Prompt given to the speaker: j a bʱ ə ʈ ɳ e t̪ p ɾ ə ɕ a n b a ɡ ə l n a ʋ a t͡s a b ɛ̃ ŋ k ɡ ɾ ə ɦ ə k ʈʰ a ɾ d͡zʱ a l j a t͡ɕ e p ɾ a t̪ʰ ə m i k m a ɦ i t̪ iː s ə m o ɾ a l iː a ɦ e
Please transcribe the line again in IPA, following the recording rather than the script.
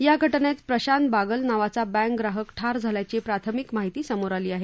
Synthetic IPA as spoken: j a ɡʱ ə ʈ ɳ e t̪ p ɾ ə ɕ a n b a ɡ ə l n a ʋ a t͡s a b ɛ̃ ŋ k ɡ ɾ a ɦ ə k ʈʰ a ɾ d͡zʱ a l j a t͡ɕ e p ɾ a t̪ʰ ə m i k m a ɦ i t̪ iː s ə m o ɾ a l iː a ɦ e